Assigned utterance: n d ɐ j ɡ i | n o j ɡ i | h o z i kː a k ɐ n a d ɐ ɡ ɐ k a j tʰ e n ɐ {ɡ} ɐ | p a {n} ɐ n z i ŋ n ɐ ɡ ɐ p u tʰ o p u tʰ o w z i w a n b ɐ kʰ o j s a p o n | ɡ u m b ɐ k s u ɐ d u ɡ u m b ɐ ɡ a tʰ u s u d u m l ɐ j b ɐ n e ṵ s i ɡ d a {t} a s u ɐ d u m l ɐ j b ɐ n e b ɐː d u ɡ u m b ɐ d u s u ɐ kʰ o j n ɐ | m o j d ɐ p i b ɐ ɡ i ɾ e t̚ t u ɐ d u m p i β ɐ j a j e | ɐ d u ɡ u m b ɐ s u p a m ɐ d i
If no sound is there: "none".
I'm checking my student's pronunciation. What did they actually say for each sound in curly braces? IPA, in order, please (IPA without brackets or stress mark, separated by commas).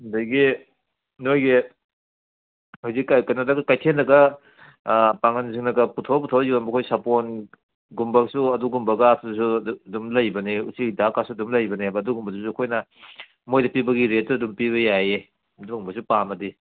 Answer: ɡ, ŋ, k